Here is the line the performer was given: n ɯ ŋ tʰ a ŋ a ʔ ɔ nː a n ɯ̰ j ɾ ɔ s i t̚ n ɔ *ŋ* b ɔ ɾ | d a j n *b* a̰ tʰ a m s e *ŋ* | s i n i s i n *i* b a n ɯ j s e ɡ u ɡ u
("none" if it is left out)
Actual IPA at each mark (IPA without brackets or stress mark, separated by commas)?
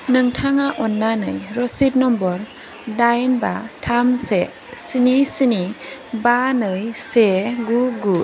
m, b, none, i